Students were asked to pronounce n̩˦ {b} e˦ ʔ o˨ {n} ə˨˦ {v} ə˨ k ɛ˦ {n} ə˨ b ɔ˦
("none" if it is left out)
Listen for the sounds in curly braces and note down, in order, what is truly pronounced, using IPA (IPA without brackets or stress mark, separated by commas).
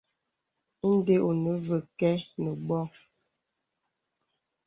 d, n, v, n